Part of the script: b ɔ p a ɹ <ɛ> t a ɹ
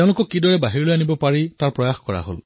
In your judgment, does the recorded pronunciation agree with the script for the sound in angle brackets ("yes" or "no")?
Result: no